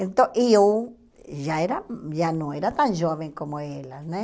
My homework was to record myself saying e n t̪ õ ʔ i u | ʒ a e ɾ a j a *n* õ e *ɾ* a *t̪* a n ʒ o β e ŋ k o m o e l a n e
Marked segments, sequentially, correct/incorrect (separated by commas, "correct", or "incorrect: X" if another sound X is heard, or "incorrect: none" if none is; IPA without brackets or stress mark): correct, correct, correct